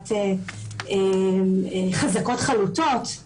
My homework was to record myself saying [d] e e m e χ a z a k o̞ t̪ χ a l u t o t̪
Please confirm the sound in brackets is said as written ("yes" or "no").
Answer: no